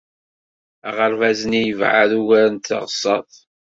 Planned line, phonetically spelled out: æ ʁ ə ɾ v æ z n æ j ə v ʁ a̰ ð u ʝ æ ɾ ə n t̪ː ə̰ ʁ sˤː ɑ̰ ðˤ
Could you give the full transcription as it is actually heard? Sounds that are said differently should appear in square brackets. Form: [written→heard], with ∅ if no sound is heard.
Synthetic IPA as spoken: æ ʁ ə ɾ v æ z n [æ→i] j ə v [ʁ→ʕ] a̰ ð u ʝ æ ɾ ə n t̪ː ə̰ ʁ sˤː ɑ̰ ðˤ